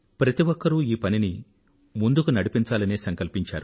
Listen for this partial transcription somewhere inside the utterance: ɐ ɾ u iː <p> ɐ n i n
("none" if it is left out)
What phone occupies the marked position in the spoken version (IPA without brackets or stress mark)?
p